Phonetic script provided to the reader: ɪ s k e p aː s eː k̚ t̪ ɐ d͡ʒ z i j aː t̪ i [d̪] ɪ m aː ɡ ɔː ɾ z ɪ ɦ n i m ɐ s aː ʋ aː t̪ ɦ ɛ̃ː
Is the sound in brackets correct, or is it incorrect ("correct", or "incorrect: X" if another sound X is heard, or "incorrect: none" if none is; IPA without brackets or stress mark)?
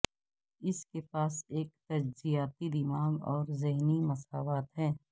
correct